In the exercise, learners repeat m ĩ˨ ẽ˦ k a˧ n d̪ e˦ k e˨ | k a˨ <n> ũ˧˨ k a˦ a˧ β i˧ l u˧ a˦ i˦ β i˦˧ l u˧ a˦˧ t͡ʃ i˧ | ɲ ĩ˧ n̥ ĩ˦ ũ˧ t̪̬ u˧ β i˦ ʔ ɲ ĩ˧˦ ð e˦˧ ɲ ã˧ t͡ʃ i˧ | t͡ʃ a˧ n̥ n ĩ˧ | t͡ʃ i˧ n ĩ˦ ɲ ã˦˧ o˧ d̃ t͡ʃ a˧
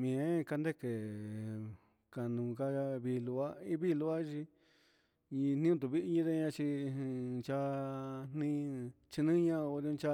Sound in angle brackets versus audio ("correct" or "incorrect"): correct